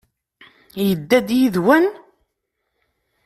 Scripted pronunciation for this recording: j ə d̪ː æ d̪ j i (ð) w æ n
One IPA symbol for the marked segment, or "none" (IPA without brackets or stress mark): ð